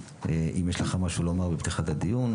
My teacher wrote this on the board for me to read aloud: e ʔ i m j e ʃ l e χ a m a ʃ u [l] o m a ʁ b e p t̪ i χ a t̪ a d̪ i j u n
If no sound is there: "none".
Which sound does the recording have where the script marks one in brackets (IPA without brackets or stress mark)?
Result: l